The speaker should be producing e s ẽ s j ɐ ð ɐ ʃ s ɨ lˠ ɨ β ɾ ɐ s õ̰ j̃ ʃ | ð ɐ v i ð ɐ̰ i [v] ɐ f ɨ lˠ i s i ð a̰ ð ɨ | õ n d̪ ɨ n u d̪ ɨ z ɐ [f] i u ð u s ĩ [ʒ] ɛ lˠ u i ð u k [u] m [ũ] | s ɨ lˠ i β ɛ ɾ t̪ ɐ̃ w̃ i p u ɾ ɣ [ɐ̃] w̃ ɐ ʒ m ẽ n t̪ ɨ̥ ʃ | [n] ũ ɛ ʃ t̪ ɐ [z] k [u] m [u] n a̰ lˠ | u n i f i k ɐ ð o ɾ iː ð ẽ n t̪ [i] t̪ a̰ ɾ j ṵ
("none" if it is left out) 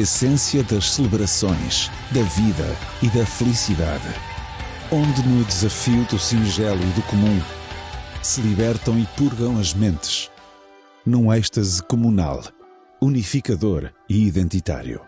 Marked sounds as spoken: ð, f, ʒ, u, ũ, ɐ̃, n, z, u, u, i

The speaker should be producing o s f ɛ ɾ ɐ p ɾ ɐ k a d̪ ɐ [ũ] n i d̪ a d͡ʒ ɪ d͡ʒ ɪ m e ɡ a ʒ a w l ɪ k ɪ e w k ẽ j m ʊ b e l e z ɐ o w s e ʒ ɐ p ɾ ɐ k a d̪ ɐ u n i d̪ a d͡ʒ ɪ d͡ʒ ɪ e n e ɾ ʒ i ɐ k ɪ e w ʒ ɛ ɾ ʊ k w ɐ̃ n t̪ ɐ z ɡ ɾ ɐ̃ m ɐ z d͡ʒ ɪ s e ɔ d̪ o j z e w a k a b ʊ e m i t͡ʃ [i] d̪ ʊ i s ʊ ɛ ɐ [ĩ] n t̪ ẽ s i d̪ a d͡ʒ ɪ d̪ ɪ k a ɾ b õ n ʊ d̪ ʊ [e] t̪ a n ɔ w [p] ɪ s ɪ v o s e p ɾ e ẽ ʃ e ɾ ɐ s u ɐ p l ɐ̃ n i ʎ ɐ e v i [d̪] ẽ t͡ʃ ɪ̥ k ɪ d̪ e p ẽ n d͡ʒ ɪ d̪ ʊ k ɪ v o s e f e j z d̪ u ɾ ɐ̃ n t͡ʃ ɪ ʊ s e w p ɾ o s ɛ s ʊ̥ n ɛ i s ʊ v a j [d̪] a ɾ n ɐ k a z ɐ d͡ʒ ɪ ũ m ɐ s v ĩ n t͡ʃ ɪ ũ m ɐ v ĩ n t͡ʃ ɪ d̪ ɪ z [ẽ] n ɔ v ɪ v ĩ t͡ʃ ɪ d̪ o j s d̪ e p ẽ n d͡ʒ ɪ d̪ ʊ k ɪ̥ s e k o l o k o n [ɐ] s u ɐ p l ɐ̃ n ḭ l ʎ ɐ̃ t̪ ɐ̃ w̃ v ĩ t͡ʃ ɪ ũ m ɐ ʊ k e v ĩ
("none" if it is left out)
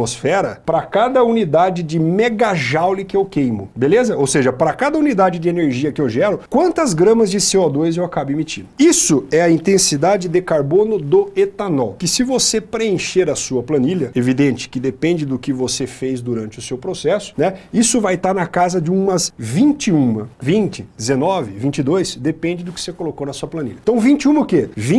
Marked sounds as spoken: u, ĩ, ĩ, e, k, d̪, t̪, e, ɐ

